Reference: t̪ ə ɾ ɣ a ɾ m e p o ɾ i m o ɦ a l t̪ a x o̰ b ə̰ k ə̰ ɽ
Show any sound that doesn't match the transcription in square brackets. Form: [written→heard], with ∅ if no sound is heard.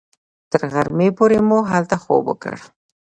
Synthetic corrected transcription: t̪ ə ɾ ɣ a ɾ m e p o ɾ [i→e] m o ɦ a l t̪ a x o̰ b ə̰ k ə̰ ɽ